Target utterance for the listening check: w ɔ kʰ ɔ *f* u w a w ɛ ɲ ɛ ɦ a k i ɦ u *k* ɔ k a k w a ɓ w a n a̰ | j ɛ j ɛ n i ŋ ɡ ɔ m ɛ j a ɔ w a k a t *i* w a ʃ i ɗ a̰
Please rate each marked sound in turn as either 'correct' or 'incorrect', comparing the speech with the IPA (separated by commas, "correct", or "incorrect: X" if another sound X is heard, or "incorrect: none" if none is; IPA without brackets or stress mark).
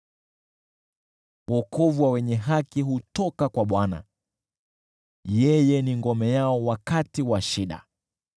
incorrect: v, incorrect: t, correct